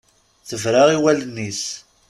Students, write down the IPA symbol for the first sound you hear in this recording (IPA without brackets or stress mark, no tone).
θ